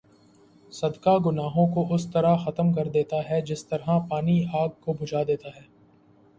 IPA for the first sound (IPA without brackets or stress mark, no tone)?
s